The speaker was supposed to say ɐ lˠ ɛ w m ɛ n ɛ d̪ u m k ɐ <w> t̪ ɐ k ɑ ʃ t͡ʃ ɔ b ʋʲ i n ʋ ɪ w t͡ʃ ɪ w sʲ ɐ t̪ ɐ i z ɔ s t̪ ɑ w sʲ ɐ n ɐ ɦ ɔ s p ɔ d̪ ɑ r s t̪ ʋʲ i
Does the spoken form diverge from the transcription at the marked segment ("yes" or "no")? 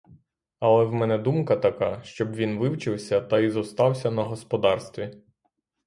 yes